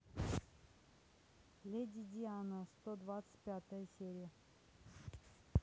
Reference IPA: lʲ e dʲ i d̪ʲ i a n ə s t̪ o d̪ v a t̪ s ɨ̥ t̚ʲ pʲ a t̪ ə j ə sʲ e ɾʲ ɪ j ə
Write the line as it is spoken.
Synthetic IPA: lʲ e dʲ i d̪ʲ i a n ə s t̪ o d̪ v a t̪ s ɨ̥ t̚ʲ pʲ a t̪ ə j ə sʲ e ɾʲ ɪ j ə